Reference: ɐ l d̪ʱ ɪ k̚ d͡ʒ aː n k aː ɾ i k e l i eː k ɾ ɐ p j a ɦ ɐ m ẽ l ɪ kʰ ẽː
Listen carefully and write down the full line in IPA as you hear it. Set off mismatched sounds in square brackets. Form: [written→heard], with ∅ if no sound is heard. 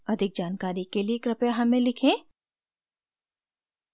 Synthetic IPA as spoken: ɐ [l→∅] d̪ʱ ɪ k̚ d͡ʒ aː n k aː ɾ i k e l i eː k ɾ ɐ p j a ɦ ɐ m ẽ l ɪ kʰ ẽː